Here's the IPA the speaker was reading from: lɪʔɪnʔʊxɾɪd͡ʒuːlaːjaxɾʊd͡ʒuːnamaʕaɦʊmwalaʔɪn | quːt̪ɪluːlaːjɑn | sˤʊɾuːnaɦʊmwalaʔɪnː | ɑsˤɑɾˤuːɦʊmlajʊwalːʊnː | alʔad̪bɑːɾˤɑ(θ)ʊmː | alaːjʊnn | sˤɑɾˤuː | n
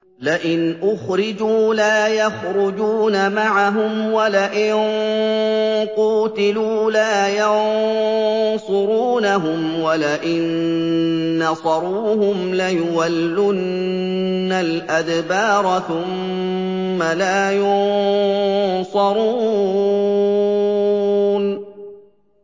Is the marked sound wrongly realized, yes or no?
no